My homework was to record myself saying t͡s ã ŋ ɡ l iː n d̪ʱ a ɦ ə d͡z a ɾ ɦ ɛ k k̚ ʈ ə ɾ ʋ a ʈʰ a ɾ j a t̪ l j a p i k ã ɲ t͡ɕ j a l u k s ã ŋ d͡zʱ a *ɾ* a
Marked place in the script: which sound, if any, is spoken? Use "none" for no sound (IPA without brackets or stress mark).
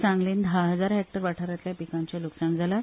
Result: l